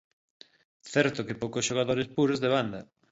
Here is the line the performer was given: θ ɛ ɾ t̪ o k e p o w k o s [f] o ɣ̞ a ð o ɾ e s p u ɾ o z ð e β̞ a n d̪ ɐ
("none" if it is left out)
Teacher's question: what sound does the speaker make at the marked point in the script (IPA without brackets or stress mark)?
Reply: ʃ